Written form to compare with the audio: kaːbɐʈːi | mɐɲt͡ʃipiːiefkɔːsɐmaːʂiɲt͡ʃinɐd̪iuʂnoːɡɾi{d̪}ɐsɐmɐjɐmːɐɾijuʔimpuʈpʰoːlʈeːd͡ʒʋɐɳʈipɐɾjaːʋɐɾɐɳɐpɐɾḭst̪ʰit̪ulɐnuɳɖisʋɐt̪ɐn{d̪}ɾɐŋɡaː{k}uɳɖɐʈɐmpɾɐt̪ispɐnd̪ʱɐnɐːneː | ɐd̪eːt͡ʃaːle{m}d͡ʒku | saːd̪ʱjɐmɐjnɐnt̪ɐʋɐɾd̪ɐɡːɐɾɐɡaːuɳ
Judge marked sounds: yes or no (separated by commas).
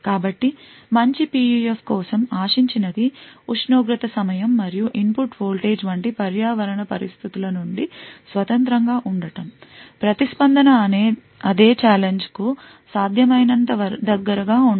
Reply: no, no, no, no